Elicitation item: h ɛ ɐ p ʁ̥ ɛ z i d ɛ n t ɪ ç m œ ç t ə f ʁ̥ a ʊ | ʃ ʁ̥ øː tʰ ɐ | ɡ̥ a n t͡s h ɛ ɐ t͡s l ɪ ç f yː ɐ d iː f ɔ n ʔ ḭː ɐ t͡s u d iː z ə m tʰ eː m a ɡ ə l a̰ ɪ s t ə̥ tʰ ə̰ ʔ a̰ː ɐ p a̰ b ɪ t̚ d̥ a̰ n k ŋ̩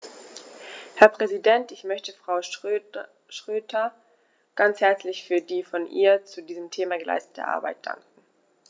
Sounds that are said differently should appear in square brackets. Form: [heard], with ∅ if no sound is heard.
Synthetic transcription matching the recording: h ɛ ɐ p ʁ̥ ɛ z i d ɛ n t ɪ ç m œ ç t ə f ʁ̥ a ʊ | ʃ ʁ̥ øː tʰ ɐ | ɡ̥ a n t͡s h ɛ ɐ t͡s l ɪ ç f yː ɐ d iː f ɔ n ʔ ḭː ɐ t͡s u d iː z ə m tʰ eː m a ɡ ə l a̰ ɪ s t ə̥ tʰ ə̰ ʔ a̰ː ɐ [b] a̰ [∅] ɪ t̚ d̥ a̰ [ŋ] k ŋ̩